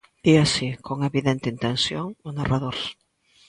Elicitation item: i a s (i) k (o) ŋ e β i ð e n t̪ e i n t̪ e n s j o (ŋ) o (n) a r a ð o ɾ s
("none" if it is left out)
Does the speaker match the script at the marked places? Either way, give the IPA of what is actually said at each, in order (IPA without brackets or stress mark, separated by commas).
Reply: i, o, ŋ, n